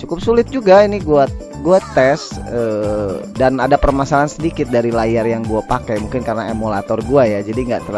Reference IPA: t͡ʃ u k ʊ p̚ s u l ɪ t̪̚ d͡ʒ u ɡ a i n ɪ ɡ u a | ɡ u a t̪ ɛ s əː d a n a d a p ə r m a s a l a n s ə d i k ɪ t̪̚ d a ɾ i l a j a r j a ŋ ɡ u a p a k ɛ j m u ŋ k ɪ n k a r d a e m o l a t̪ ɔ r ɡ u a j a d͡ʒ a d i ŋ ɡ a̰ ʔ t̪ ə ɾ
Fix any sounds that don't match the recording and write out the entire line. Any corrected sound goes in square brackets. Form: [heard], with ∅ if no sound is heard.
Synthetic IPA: t͡ʃ u k ʊ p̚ s u l ɪ t̪̚ d͡ʒ u ɡ a i n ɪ ɡ u a | ɡ u a t̪ ɛ s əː d a n a d a p ə r m a s a l a n s ə d i k ɪ t̪̚ d a ɾ i l a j a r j a ŋ ɡ u a p a k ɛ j m u ŋ k ɪ n k a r [n] a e m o l a t̪ ɔ r ɡ u a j a d͡ʒ a d i ŋ ɡ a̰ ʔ t̪ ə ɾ